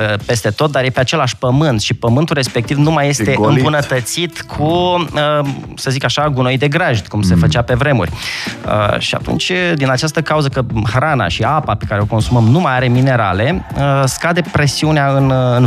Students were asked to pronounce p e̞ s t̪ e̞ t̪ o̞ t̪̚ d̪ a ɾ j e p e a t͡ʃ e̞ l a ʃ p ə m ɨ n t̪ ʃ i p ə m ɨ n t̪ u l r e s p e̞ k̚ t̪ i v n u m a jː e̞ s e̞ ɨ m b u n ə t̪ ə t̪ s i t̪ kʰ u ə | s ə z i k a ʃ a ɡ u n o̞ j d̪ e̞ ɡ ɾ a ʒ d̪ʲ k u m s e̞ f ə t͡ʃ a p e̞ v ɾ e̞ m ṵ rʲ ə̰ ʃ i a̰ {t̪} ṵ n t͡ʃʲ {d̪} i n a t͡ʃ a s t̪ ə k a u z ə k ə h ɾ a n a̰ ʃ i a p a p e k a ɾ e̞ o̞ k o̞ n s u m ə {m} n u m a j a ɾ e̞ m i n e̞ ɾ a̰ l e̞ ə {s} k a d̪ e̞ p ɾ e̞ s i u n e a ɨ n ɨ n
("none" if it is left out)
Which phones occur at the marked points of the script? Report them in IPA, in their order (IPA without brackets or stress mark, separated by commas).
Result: t̪, d̪, m, s